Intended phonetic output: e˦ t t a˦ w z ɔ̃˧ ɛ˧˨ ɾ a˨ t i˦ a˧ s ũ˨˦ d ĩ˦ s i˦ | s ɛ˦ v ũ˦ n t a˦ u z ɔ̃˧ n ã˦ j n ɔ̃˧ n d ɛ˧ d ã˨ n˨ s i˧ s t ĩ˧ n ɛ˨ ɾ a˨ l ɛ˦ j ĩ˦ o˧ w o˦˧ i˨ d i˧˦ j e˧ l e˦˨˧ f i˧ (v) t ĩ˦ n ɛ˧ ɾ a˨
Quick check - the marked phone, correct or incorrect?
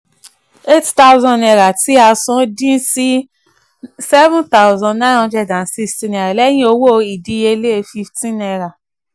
incorrect